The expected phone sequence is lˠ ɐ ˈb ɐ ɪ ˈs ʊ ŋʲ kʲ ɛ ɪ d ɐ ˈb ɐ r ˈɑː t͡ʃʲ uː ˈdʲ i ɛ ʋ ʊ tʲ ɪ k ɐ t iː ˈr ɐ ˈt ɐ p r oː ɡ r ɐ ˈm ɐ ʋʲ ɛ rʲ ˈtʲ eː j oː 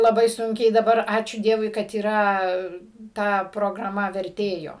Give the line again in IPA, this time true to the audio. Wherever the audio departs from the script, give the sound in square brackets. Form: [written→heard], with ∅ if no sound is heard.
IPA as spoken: lˠ ɐ ˈb ɐ ɪ ˈs ʊ ŋʲ kʲ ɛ ɪ d ɐ ˈb ɐ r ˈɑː t͡ʃʲ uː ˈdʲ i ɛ ʋ ʊ [tʲ→∅] ɪ k ɐ t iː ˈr ɐ ˈt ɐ p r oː ɡ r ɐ ˈm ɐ ʋʲ ɛ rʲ ˈtʲ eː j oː